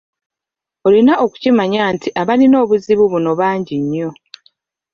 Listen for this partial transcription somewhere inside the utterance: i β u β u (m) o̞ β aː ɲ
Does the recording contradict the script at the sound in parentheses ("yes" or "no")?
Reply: yes